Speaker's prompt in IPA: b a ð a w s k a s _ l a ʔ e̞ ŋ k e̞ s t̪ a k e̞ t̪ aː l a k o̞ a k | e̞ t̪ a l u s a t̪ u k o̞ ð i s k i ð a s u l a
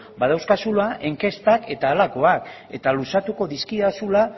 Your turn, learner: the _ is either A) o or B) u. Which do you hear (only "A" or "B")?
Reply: B